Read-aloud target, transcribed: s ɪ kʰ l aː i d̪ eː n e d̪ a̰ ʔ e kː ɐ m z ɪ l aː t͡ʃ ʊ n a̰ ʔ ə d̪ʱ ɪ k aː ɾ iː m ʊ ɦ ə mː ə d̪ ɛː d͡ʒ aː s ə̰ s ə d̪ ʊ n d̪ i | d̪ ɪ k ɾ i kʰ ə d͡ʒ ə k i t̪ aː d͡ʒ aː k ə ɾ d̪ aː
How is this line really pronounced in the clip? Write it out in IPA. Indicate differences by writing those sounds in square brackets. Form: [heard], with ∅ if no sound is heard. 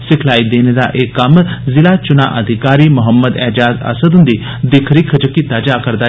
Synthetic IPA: s ɪ kʰ l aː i d̪ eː n e d̪ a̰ ʔ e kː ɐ m z ɪ l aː t͡ʃ ʊ n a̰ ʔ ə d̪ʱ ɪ k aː ɾ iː m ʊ ɦ ə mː ə d̪ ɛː d͡ʒ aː [z] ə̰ s ə d̪ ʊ n d̪ i | d̪ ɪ [kʰ] ɾ i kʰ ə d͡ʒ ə k i t̪ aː d͡ʒ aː k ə ɾ d̪ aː